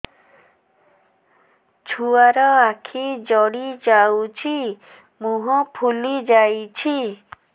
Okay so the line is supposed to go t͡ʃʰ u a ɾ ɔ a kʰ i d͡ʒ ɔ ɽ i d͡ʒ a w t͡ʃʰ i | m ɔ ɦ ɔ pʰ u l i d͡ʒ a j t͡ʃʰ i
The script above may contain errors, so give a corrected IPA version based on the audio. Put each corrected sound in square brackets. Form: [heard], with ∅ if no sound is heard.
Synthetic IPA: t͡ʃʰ u a ɾ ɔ a kʰ i d͡ʒ ɔ ɽ i d͡ʒ a w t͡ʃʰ i | m [u] ɦ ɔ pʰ u l i d͡ʒ a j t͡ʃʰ i